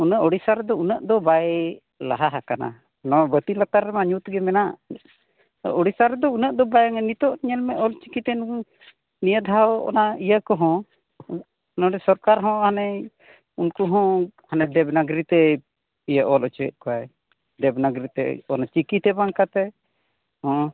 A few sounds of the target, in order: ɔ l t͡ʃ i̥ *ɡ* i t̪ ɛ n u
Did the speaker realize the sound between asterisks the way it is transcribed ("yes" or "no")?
no